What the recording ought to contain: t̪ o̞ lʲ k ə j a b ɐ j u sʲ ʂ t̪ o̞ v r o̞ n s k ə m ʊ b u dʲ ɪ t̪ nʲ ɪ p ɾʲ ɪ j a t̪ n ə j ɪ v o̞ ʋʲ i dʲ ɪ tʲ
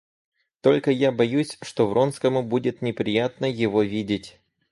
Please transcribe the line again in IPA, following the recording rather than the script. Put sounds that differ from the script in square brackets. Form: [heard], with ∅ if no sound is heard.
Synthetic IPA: t̪ o̞ lʲ k ə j a b ɐ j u sʲ ʂ t̪ o̞ v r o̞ n s k ə m ʊ b u dʲ ɪ t̪ nʲ ɪ p ɾʲ ɪ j a t̪ n ə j ɪ v o̞ [vʲ] i dʲ ɪ tʲ